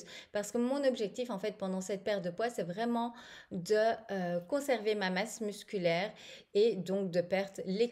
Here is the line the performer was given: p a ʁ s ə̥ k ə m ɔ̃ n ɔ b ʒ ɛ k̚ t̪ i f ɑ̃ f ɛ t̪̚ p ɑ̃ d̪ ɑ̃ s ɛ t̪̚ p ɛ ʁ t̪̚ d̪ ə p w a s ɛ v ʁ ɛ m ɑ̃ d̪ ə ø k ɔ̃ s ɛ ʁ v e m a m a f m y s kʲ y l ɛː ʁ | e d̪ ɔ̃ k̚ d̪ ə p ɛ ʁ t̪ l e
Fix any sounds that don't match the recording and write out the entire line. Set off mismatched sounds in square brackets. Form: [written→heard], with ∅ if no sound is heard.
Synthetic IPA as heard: p a ʁ s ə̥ k ə m ɔ̃ n ɔ b ʒ ɛ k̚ t̪ i f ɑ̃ f ɛ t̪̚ p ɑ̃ d̪ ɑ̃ s ɛ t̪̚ p ɛ ʁ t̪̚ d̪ ə p w a s ɛ v ʁ ɛ m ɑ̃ d̪ ə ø k ɔ̃ s ɛ ʁ v e m a m a [f→s] m y s kʲ y l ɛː ʁ | e d̪ ɔ̃ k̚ d̪ ə p ɛ ʁ t̪ l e